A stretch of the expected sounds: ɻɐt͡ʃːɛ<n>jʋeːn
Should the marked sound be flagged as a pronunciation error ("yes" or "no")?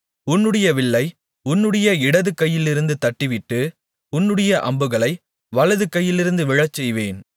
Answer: yes